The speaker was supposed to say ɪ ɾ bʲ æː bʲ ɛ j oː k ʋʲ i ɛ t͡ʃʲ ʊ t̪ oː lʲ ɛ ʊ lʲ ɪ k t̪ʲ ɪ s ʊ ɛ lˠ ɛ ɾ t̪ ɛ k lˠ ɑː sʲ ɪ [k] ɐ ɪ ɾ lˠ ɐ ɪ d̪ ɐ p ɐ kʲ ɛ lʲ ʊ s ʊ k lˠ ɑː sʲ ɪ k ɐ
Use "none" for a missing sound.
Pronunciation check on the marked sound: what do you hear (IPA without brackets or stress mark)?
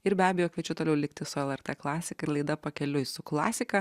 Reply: k